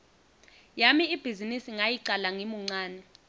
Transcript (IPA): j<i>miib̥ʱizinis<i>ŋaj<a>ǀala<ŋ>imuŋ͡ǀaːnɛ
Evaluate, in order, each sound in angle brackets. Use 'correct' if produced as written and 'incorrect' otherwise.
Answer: incorrect: a, correct, incorrect: i, correct

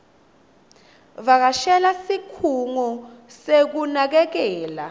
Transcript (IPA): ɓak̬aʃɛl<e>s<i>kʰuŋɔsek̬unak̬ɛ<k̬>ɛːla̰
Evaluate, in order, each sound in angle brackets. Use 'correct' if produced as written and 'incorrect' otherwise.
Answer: incorrect: a, correct, correct

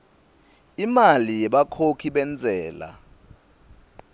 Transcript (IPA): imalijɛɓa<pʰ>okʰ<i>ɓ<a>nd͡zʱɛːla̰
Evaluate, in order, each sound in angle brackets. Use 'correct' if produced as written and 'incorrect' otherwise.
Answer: incorrect: kʰ, correct, incorrect: ɛ

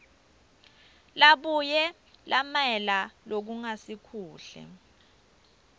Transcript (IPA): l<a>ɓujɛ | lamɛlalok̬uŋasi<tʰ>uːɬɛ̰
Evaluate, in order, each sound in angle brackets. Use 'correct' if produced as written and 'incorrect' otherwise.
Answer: correct, incorrect: kʰ

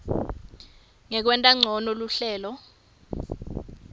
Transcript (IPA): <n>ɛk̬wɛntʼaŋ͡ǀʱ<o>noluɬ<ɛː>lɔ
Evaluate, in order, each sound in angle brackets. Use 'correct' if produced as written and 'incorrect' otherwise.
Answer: incorrect: ŋ, incorrect: ɔ, correct

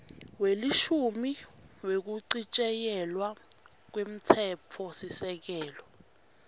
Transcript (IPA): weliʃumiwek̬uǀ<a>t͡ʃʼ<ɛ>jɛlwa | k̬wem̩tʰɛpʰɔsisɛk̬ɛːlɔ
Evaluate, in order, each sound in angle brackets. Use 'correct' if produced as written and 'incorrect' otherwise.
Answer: incorrect: i, correct

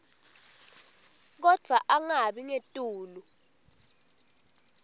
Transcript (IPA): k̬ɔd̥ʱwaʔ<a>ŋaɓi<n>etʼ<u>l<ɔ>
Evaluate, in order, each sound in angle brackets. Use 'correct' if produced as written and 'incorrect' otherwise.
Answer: correct, incorrect: ŋ, incorrect: uː, incorrect: u

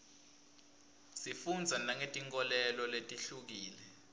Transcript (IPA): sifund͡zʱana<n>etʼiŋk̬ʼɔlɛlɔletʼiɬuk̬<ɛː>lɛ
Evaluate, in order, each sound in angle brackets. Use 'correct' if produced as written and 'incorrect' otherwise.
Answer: incorrect: ŋ, incorrect: iː

